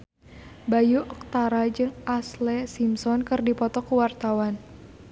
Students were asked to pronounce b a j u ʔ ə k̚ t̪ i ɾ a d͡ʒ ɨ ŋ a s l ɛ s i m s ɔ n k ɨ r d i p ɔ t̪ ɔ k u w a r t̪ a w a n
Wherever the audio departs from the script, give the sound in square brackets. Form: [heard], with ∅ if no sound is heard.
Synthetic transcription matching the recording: b a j u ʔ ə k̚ t̪ [a] ɾ a d͡ʒ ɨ ŋ a s l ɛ s i m s ɔ n k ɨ r d i p ɔ t̪ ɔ k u w a r t̪ a w a n

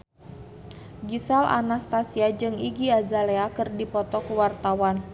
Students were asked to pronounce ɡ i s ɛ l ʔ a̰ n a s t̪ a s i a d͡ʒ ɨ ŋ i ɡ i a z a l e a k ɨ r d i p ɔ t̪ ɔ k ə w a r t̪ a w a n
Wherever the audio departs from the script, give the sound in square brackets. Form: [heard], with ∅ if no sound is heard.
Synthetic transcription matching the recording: ɡ i s [a] l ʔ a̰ n a s t̪ a s i a d͡ʒ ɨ ŋ i ɡ i a z a l e a k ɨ r d i p ɔ t̪ ɔ k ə w a r t̪ a w a n

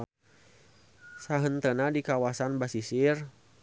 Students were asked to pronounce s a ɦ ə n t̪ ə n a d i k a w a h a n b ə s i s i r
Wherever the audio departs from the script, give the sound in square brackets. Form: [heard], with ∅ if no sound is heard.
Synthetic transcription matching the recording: s a ɦ ə n t̪ ə n a d i k a w a [s] a n b [a] s i s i r

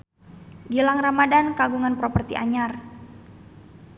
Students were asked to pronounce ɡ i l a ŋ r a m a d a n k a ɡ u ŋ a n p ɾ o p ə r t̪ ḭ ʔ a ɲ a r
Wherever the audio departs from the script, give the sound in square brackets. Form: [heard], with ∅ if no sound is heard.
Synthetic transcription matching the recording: ɡ i l a ŋ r a m a d a n k a ɡ u ŋ a n p ɾ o p ə r t̪ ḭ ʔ a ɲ a r

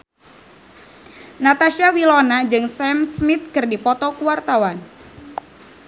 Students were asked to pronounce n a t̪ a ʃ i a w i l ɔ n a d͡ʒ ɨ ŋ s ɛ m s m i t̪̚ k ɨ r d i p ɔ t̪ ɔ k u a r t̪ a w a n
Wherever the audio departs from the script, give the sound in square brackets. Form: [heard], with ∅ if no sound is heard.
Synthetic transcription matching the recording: n a t̪ a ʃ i a w i l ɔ n a d͡ʒ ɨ ŋ s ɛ m s m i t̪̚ k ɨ r d i p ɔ t̪ ɔ k u a r t̪ a w a n

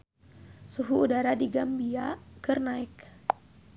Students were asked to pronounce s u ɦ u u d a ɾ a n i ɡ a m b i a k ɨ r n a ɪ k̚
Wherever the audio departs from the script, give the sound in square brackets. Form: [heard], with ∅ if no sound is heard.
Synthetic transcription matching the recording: s u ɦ u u d a ɾ a [d] i ɡ a m b i a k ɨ r n a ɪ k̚

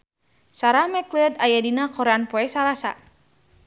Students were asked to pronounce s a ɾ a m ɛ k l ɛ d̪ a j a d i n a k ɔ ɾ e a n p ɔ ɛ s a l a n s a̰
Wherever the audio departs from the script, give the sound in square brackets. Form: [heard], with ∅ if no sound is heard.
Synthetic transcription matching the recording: s a ɾ a m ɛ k l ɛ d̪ a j a d i n a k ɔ ɾ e a n p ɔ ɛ s a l a [∅] s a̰

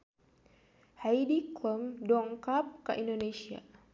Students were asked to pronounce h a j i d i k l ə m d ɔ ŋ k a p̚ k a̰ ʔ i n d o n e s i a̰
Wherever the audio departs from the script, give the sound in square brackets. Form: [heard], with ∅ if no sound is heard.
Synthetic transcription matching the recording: h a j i d i k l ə m d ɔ ŋ k a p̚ k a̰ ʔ i n d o n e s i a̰

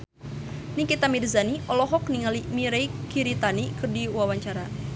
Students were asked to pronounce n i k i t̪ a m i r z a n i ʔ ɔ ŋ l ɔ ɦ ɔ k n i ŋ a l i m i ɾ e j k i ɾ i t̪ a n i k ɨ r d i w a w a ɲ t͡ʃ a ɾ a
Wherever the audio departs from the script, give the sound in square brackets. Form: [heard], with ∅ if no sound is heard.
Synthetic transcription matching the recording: n i k i t̪ a m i r z a n i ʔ ɔ [∅] l ɔ ɦ ɔ k n i ŋ a l i m i ɾ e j k i ɾ i t̪ a n i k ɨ r d i w a w a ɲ t͡ʃ a ɾ a

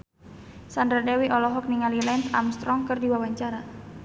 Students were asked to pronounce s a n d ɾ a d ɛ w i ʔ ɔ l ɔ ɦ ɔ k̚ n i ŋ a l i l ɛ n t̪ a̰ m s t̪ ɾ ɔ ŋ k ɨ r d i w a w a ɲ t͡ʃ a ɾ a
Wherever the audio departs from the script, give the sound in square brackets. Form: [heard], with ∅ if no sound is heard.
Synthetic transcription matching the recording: s a n d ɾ a d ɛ w i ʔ ɔ l ɔ ɦ ɔ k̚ n i ŋ a l i l ɛ n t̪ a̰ m s t̪ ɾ ɔ ŋ k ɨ r d i w a w a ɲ t͡ʃ a ɾ a

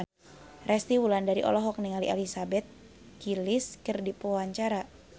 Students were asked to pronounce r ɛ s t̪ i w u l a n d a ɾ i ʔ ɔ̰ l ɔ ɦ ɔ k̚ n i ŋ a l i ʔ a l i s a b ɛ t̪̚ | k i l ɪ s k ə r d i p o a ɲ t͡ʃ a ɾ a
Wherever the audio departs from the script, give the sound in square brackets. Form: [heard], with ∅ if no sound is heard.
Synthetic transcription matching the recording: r ɛ s t̪ i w u l a n d a ɾ i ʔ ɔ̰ l ɔ ɦ ɔ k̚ n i ŋ a l i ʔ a l i s a b ɛ t̪̚ | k i l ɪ s k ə r d i p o a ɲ t͡ʃ a ɾ a

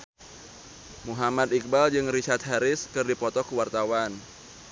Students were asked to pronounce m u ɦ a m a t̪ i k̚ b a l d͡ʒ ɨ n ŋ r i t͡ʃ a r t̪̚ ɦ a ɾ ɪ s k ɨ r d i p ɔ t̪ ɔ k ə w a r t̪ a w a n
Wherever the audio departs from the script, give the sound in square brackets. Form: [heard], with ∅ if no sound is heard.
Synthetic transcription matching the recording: m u ɦ a m a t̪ i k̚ b a l d͡ʒ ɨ [∅] ŋ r i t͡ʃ a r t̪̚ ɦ a ɾ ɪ s k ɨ r d i p ɔ t̪ ɔ k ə w a r t̪ a w a n

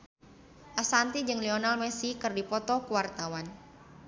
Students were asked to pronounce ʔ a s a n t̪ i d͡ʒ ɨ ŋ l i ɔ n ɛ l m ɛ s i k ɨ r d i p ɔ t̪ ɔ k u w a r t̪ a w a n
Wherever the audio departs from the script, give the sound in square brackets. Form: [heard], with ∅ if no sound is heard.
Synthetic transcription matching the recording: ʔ a s a n t̪ i d͡ʒ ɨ ŋ l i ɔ n [a] l m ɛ s i k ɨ r d i p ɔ t̪ ɔ k u w a r t̪ a w a n

